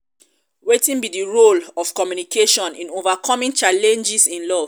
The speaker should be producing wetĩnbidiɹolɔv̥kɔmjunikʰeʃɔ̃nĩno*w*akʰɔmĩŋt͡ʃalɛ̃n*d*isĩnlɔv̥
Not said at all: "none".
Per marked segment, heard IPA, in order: v, d͡ʒ

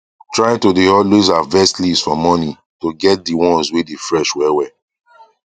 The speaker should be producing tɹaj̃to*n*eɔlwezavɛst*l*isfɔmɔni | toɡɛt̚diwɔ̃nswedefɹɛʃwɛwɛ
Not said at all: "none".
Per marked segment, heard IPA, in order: d, l

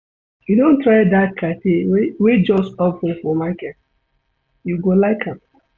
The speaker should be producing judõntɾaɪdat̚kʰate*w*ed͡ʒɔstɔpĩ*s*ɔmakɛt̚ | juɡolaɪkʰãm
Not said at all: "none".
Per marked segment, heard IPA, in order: w, f

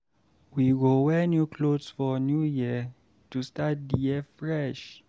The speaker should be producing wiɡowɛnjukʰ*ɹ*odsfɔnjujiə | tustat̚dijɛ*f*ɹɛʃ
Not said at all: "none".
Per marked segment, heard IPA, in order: l, f

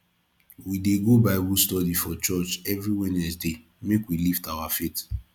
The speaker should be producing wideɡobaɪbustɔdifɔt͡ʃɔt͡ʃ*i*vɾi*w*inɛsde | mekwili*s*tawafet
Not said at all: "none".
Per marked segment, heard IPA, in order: ɛ, w, f

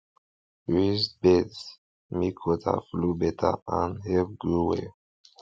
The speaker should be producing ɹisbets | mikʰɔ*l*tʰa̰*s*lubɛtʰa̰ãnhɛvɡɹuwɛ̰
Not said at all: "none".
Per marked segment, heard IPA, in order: none, f

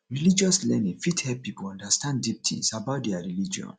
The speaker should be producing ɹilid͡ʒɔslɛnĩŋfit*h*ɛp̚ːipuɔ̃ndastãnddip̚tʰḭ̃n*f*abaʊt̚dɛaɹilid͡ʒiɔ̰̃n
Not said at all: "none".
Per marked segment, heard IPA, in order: h, s

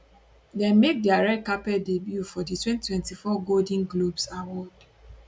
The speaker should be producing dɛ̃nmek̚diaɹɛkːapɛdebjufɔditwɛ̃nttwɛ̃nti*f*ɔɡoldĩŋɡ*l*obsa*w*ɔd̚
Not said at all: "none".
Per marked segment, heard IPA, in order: f, l, w

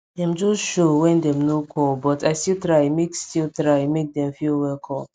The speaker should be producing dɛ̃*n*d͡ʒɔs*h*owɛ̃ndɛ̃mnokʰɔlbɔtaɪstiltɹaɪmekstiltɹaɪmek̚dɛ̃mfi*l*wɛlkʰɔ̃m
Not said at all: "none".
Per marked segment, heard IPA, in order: m, ʃ, l

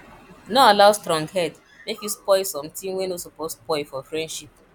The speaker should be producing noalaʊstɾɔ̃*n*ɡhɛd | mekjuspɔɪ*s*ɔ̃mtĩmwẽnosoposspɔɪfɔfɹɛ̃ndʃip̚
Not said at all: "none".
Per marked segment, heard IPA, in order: ŋ, s

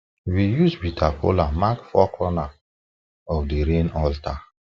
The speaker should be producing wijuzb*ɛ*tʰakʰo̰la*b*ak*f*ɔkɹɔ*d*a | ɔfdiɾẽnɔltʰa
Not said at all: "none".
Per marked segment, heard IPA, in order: i, m, f, n

